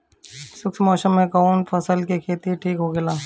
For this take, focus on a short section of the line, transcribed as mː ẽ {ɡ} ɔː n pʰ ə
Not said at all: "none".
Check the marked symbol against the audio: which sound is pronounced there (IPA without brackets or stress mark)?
k